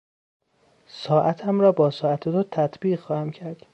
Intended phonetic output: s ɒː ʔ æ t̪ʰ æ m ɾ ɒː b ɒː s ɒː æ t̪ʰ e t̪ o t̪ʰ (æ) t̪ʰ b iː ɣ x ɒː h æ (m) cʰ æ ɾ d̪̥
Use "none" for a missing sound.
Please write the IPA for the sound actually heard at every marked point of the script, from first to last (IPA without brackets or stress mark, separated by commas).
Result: æ, m